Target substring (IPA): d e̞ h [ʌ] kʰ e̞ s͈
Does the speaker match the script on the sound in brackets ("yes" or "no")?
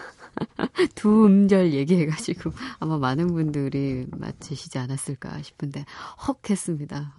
yes